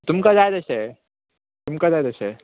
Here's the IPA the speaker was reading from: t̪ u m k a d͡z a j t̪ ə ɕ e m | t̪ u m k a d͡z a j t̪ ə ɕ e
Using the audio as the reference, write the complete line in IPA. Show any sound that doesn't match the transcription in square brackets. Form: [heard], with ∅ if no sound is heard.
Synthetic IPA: t̪ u m k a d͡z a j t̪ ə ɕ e [∅] | t̪ u m k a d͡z a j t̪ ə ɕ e